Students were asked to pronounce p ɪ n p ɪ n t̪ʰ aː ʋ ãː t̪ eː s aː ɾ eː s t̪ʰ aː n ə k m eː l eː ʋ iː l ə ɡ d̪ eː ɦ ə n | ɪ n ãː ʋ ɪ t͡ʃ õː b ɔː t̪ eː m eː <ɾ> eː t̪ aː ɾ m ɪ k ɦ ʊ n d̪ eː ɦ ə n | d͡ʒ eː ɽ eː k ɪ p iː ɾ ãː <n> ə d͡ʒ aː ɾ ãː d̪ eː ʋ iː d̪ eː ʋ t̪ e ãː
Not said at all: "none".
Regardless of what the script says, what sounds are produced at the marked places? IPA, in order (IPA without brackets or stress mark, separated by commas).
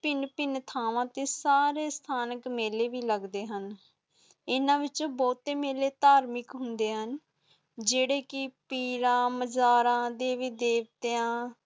l, m